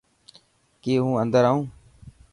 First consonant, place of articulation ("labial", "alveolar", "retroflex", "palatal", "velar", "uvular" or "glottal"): velar